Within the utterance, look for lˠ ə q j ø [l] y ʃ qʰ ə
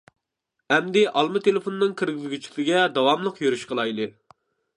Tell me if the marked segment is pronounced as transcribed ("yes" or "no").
no